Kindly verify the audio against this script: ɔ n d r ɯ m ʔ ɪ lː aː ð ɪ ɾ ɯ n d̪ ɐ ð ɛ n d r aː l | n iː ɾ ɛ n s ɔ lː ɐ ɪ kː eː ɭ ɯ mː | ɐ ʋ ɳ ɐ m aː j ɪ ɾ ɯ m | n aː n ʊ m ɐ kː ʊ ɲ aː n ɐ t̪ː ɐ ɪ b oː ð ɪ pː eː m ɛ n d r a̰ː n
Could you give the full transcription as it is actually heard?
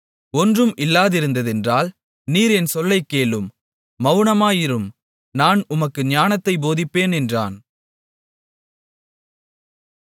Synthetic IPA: ɔ n d r ɯ m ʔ ɪ lː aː ð ɪ ɾ ɯ n d̪ ɐ ð ɛ n d r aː l | n iː ɾ ɛ n s ɔ lː ɐ ɪ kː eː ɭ ɯ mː | ɐ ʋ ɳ ɐ m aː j ɪ ɾ ɯ m | n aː n ʊ m ɐ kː ɯ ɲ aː n ɐ t̪ː ɐ ɪ b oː ð ɪ pː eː n ɛ n d r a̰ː n